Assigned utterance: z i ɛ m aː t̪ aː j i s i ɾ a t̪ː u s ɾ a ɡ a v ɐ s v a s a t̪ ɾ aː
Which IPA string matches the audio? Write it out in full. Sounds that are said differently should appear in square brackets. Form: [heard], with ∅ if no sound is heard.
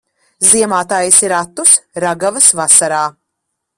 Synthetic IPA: z i ɛ m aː t̪ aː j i s i ɾ a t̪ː u s ɾ a ɡ a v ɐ s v a s a [∅] ɾ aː